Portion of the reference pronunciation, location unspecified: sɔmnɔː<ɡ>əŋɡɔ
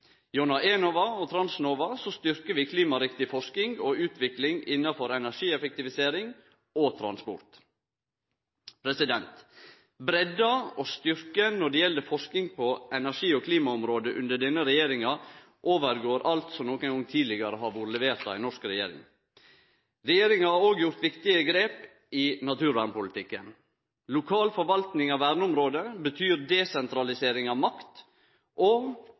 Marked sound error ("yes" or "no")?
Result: yes